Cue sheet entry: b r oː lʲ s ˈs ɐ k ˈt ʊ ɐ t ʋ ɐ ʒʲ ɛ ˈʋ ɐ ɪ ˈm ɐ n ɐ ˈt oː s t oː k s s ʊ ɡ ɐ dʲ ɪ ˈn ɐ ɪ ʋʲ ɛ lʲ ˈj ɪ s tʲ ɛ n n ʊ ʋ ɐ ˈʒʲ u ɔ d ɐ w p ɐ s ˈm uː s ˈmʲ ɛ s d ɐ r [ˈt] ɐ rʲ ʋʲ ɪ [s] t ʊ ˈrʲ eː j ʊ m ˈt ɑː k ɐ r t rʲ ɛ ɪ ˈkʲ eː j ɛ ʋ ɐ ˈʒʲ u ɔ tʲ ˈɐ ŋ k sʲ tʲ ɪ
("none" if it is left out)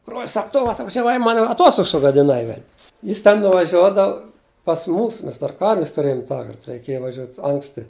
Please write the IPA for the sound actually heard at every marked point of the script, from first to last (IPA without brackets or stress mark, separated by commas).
k, s